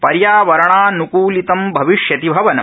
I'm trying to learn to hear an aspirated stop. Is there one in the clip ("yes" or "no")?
no